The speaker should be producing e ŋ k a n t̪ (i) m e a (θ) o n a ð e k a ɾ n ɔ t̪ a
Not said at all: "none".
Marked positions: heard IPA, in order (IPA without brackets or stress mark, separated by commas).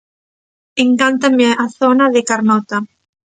a, θ